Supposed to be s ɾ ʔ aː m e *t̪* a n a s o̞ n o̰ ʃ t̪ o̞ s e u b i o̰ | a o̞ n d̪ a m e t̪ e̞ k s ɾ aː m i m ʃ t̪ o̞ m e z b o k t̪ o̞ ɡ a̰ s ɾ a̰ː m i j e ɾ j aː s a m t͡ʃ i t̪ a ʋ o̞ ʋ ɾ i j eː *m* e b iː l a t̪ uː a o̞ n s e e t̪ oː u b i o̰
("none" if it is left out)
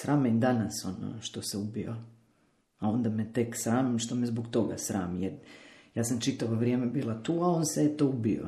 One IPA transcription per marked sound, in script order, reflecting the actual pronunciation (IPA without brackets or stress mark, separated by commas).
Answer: d̪, m